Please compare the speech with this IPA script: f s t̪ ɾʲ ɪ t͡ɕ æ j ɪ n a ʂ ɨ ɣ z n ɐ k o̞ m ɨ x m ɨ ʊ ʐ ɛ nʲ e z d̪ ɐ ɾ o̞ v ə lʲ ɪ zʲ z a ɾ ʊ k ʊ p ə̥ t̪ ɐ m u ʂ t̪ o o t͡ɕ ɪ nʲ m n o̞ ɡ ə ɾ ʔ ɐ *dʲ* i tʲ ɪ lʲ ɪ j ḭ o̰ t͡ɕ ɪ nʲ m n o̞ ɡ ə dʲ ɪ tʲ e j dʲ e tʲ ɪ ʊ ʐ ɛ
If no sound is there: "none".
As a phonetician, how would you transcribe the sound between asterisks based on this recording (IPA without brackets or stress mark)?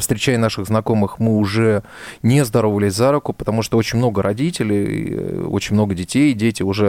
dʲ